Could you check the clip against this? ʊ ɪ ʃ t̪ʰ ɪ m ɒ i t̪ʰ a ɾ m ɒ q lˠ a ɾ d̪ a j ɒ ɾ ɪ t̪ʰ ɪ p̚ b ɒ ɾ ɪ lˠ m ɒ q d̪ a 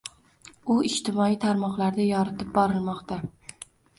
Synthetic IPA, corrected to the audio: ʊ ɪ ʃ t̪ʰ ɪ m ɒ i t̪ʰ a ɾ m ɒ q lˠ a ɾ d̪ a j ɒ ɾ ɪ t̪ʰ ɪ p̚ b ɒ ɾ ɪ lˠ m ɒ q t̪ a